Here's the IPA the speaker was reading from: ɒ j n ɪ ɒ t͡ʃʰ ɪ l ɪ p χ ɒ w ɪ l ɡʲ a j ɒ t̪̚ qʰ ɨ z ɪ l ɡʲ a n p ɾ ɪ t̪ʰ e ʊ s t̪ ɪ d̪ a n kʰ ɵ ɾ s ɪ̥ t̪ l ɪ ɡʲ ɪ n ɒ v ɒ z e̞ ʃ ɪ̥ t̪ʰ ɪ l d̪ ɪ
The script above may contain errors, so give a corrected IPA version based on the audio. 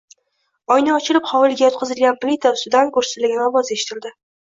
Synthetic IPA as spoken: ɒ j n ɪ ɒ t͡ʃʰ ɪ l ɪ p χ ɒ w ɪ l ɡʲ a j ɒ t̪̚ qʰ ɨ z ɪ l ɡʲ a n p l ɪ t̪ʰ a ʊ s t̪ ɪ d̪ a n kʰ ɵ ɾ s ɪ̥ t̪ l ɪ ɡʲ ɪ n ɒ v ɒ z e̞ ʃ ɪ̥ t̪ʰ ɪ l d̪ ɪ